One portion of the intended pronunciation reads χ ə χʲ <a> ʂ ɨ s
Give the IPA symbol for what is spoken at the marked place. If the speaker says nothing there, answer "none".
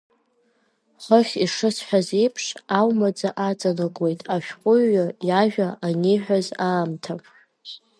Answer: i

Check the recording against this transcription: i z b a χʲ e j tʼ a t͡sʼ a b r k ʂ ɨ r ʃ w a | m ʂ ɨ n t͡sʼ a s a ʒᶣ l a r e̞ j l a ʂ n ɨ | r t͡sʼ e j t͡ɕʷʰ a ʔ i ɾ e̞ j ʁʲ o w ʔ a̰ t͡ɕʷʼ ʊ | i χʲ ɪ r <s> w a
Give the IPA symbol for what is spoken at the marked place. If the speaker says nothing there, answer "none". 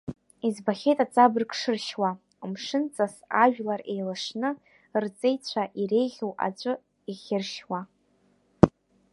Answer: ʃ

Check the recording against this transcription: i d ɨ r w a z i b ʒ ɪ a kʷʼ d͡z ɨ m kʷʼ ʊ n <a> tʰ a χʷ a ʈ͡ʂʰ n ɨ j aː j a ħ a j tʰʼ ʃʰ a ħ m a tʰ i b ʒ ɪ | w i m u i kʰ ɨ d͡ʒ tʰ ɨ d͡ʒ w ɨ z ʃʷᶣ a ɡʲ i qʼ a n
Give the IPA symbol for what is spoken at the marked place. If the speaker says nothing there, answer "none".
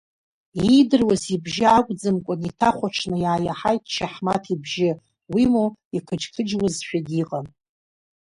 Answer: i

